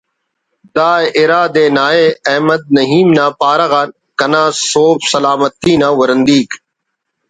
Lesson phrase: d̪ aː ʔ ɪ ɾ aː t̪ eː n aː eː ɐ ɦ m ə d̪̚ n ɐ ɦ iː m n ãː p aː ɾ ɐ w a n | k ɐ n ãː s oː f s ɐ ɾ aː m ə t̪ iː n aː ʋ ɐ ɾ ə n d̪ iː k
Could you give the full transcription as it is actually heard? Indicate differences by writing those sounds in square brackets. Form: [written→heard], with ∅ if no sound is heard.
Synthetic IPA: d̪ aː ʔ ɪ ɾ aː [t̪→d̪] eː n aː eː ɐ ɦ m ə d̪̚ n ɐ ɦ iː m n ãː p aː ɾ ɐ [w→ɣ] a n | k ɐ n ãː s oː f s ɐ [ɾ→l] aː m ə t̪ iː n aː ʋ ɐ ɾ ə n d̪ iː k